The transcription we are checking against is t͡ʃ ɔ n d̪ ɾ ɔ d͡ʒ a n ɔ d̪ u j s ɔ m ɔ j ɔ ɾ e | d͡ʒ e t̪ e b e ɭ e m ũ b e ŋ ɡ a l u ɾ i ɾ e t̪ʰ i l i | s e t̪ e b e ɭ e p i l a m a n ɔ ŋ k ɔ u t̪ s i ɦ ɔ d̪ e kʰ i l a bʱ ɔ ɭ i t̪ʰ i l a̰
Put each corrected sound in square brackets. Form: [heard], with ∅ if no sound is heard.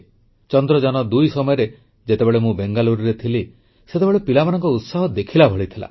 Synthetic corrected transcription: t͡ʃ ɔ n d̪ ɾ ɔ d͡ʒ a n ɔ d̪ u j s ɔ m ɔ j ɔ ɾ e | d͡ʒ e t̪ e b e ɭ e m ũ b e ŋ ɡ a l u ɾ i ɾ e t̪ʰ i l i | s e t̪ e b e ɭ e p i l a m a n ɔ ŋ k ɔ u t̪ s [a] ɦ ɔ d̪ e kʰ i l a bʱ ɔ ɭ i t̪ʰ i l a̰